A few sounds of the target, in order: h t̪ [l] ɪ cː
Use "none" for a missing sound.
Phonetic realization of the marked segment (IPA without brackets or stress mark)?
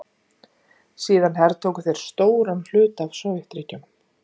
ɾ